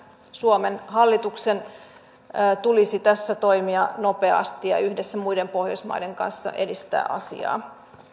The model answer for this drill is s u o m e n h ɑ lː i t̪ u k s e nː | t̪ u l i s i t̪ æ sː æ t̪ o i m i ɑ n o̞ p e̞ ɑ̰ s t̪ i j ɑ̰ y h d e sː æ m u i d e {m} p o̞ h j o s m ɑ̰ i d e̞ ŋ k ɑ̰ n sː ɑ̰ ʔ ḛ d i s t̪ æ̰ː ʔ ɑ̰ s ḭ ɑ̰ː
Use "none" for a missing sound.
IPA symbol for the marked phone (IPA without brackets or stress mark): m